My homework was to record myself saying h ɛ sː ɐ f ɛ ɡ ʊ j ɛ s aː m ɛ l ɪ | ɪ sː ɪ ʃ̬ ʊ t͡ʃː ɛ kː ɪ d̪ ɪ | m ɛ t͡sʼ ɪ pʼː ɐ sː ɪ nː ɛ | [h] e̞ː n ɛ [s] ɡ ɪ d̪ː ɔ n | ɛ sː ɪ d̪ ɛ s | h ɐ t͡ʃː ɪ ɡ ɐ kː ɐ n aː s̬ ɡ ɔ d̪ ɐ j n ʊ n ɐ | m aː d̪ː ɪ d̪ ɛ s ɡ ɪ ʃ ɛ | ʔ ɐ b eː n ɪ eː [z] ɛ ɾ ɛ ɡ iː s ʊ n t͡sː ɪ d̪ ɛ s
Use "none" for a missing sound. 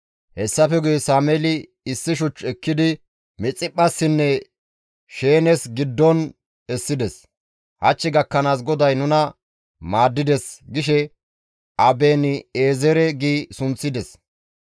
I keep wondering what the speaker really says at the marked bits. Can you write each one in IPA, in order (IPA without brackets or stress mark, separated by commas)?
ʃ, s, z